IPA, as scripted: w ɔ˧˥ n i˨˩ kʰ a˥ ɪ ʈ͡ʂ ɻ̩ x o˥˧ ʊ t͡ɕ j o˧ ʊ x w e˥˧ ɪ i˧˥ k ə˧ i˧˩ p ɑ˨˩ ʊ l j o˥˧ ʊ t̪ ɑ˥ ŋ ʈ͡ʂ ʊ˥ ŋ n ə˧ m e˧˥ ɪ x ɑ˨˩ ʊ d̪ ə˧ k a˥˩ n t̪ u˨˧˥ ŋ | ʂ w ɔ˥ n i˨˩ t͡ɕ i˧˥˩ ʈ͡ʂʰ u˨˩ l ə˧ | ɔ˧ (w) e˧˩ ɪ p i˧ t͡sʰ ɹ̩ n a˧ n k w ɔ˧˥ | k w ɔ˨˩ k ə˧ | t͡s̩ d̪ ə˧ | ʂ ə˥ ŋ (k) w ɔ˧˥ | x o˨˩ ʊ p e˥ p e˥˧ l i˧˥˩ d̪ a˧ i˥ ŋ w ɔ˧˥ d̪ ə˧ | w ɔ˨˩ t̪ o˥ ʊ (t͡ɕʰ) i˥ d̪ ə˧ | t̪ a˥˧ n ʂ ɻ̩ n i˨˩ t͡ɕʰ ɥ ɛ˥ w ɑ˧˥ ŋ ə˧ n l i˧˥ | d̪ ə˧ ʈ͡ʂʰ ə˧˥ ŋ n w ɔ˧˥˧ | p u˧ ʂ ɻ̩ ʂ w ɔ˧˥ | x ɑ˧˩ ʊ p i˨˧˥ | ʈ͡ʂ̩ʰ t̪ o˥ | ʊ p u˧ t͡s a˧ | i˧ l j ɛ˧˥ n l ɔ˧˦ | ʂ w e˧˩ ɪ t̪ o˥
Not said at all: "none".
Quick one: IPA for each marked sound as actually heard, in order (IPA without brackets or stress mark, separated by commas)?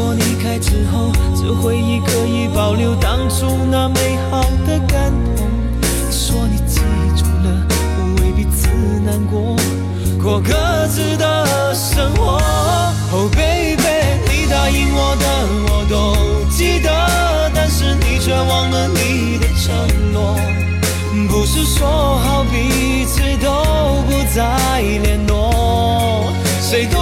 w, x, t͡ɕ